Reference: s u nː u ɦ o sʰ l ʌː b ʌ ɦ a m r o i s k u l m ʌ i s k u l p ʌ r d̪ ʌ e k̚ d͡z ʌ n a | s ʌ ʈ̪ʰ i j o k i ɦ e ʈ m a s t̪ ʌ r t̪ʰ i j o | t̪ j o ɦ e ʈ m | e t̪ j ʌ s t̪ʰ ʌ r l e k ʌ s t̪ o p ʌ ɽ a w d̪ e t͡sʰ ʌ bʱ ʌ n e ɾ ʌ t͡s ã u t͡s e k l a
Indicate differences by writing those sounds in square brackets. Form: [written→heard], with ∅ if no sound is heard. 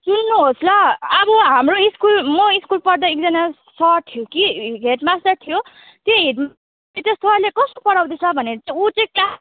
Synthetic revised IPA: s u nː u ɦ o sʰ l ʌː b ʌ ɦ a m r o i s k u l m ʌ i s k u l p ʌ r d̪ ʌ e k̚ d͡z ʌ n a | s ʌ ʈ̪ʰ i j o k i ɦ e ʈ m a s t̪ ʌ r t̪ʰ i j o | t̪ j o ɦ e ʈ m | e t̪ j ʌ s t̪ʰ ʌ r l e k ʌ s t̪ o p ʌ ɽ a w d̪ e t͡sʰ ʌ bʱ ʌ n e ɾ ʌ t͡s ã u t͡s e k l a